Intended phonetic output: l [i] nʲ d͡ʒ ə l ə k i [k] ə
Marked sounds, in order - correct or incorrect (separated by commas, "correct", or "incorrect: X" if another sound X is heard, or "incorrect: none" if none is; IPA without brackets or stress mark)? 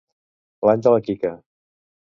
incorrect: a, correct